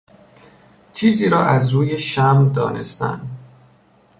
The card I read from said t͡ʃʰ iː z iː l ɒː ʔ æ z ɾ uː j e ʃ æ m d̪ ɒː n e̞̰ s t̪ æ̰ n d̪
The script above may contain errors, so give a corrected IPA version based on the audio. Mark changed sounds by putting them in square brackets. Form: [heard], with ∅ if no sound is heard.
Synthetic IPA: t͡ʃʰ iː z iː [ɾ] ɒː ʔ æ z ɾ uː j e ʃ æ m d̪ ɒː n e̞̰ s t̪ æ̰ n d̪